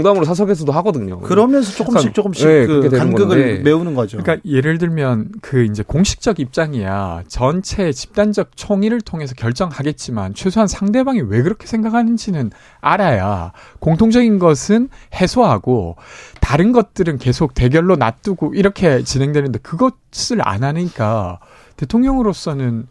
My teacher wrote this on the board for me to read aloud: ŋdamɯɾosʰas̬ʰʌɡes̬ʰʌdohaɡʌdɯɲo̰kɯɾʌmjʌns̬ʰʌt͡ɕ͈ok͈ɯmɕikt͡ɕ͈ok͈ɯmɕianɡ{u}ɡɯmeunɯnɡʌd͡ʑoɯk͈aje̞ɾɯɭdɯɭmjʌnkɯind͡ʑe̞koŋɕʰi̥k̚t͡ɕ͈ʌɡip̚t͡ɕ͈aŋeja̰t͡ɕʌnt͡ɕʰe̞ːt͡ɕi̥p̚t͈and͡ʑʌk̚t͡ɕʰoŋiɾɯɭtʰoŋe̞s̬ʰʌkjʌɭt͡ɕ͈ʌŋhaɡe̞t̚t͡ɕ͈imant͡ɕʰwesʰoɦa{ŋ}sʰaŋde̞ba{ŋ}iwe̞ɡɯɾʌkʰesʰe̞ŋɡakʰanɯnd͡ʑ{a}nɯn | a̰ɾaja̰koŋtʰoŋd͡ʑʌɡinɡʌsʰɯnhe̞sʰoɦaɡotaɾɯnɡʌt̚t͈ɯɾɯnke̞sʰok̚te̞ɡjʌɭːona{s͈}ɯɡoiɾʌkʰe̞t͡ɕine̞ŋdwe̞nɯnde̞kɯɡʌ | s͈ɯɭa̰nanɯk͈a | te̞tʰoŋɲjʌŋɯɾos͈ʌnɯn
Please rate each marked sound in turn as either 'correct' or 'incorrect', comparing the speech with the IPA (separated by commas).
incorrect, incorrect, correct, incorrect, incorrect